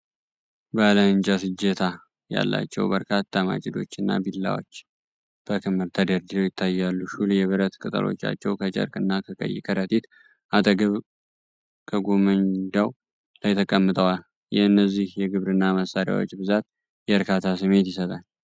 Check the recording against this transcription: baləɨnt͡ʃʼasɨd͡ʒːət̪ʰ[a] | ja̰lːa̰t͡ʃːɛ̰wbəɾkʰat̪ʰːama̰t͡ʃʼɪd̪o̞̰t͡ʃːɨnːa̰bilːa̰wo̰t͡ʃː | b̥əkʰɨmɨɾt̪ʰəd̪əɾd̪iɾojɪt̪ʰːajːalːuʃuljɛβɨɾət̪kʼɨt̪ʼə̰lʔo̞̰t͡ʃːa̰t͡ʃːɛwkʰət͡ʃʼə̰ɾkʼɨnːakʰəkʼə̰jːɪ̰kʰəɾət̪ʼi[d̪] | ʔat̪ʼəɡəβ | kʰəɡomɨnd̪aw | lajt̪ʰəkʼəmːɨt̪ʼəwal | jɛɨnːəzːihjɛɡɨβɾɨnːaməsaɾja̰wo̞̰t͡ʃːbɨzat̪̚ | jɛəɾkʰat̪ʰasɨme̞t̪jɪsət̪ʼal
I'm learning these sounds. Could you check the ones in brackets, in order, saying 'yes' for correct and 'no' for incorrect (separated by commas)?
yes, no